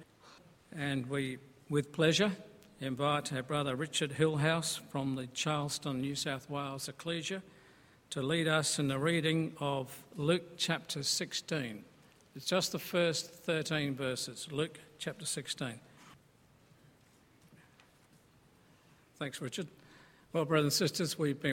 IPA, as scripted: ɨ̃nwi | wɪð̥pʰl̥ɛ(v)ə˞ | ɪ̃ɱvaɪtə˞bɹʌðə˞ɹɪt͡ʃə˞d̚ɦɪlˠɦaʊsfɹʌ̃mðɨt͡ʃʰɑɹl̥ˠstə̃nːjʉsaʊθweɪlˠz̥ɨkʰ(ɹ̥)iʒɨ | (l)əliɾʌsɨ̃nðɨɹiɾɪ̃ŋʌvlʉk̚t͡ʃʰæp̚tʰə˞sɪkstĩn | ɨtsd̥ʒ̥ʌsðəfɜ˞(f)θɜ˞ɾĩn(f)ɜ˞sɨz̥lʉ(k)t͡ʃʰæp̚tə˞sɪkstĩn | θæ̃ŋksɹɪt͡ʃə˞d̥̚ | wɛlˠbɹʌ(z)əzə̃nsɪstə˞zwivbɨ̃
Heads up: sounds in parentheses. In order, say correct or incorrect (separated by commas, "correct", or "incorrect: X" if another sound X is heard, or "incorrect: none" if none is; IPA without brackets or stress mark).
incorrect: ʒ, incorrect: l̥, incorrect: ɾ, incorrect: s, incorrect: v, correct, incorrect: ð